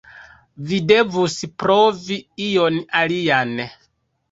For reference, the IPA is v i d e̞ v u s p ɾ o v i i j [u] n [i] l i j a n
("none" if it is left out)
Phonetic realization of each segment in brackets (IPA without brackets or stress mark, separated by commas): o, a